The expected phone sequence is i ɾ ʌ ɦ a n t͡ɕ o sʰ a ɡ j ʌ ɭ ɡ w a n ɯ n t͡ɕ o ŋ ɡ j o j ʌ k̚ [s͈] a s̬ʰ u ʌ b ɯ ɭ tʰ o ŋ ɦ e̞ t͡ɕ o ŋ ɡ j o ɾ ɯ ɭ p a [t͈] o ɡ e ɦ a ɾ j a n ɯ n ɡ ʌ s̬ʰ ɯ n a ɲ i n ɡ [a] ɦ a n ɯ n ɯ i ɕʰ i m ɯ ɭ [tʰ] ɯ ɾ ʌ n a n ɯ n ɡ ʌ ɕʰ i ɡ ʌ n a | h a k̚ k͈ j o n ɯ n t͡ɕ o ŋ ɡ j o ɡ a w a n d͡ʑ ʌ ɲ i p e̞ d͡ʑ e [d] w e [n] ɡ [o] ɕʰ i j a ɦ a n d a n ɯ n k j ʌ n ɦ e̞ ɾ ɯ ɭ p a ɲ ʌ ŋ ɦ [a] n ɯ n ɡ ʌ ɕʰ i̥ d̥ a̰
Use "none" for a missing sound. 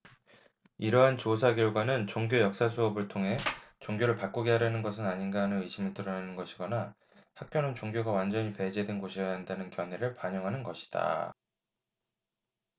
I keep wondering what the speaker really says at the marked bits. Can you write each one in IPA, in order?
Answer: s͈, k͈, a, t, d, n, o, a

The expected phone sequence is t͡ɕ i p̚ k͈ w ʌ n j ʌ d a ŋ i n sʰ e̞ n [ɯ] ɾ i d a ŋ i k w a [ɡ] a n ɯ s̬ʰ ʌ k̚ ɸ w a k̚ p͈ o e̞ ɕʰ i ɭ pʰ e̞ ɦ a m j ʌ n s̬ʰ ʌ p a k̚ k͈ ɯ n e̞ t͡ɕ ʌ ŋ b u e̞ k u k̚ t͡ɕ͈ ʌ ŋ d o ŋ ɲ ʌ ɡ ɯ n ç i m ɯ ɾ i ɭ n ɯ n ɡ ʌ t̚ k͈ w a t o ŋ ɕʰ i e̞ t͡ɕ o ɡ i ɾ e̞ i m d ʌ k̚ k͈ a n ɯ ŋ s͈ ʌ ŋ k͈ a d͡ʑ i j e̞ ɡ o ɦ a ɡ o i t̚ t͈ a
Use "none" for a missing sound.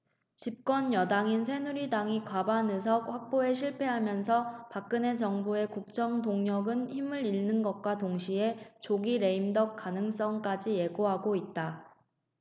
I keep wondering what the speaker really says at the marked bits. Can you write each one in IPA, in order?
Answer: u, b

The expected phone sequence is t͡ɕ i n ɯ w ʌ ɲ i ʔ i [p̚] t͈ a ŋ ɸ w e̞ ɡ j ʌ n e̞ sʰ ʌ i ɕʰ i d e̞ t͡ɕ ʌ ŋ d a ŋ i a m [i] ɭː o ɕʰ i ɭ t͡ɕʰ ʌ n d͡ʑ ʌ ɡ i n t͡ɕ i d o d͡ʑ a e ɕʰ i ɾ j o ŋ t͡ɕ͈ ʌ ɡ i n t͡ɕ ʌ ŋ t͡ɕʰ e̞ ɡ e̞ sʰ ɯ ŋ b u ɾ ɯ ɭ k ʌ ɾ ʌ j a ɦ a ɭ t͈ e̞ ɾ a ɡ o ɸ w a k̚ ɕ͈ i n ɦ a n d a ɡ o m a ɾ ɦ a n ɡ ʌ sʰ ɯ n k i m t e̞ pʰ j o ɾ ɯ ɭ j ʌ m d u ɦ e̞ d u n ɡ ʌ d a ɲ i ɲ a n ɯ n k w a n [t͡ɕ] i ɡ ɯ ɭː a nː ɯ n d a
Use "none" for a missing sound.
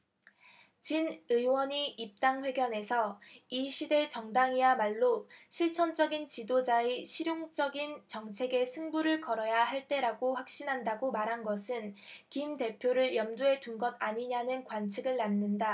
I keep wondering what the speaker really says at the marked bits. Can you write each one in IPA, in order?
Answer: p̚, a, t͡ɕʰ

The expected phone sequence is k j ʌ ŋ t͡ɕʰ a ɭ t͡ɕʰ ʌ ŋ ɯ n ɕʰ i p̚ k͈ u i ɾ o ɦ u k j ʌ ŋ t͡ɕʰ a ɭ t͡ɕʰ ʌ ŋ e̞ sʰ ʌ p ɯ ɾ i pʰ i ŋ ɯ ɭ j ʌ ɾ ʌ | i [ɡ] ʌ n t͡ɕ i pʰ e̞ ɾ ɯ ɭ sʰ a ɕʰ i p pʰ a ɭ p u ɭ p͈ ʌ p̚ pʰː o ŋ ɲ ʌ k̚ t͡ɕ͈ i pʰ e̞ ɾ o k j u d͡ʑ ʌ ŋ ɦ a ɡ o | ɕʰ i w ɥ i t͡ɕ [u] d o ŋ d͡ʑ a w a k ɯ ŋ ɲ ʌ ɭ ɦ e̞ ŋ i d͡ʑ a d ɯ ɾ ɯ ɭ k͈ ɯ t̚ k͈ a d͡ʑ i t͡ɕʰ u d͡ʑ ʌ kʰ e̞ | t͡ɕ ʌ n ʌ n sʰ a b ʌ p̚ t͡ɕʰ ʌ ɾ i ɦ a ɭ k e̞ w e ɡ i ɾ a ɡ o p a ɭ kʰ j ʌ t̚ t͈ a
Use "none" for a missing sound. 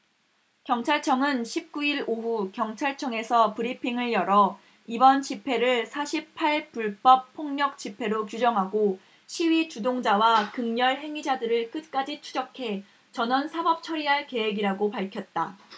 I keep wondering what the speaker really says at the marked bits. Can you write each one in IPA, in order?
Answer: b, u

